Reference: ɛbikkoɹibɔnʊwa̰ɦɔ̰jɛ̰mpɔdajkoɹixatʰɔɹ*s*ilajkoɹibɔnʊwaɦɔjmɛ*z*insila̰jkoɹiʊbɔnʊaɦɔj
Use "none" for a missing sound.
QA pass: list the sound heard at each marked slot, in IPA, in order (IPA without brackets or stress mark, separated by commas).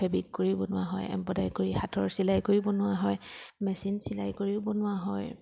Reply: s, s